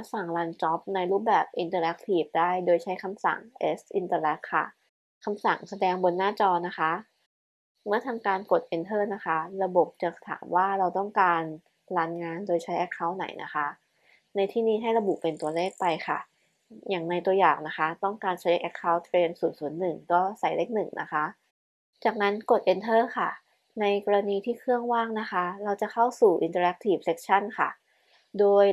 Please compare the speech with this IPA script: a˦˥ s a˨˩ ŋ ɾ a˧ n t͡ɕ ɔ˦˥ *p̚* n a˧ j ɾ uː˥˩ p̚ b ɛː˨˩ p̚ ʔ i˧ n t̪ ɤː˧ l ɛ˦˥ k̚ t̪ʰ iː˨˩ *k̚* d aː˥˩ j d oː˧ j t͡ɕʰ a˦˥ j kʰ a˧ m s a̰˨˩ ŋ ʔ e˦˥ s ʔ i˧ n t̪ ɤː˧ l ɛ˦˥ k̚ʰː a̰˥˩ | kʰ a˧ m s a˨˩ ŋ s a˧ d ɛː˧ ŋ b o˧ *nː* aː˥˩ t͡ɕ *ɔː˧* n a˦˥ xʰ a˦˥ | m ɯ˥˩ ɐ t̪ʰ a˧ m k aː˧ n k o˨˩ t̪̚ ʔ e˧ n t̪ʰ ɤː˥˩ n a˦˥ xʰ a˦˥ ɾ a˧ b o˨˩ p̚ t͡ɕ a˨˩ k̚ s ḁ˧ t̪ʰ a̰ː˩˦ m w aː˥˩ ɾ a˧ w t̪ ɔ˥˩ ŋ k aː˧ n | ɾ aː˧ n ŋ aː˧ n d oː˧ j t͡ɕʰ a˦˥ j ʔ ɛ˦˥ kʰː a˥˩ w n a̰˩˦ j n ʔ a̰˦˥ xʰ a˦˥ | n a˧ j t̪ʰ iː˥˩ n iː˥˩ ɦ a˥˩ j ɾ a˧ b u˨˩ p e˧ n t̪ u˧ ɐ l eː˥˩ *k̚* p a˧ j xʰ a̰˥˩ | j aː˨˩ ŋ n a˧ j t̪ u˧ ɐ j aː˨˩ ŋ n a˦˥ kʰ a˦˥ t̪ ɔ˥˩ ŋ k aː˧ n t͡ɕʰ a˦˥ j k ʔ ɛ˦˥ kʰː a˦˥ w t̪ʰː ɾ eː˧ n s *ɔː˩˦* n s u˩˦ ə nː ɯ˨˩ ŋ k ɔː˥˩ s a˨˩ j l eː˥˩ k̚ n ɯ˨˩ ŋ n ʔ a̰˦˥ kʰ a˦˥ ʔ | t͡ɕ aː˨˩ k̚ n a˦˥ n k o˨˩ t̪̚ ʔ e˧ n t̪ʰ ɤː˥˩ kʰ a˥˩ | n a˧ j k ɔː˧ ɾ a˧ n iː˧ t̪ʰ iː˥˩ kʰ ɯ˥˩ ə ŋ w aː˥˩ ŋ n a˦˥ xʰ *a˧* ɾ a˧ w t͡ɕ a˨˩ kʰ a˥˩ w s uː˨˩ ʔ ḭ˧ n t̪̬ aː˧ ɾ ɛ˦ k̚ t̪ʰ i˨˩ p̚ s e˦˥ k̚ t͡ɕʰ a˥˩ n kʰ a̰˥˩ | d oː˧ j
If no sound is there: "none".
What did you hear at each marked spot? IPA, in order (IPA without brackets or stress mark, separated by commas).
p̚, p̚, nː, ɔː˧, k̚, uː˩˦, a˦˥